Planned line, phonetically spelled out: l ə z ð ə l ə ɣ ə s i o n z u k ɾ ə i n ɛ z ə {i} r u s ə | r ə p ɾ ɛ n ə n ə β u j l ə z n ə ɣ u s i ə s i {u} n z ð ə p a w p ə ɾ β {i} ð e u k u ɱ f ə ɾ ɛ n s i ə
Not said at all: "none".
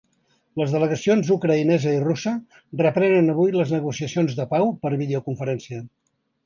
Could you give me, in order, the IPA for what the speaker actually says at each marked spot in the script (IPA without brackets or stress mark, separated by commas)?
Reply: i, o, i